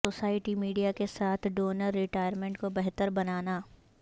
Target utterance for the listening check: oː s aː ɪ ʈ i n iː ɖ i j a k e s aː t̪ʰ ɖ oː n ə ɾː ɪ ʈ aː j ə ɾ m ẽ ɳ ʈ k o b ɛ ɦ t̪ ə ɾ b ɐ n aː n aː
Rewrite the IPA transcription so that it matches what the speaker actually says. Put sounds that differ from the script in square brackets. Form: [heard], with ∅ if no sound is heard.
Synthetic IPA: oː s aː ɪ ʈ i [m] iː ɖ i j a k e s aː t̪ʰ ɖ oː n ə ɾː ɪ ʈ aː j ə ɾ m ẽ ɳ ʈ k o b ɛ ɦ t̪ ə ɾ b ɐ n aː n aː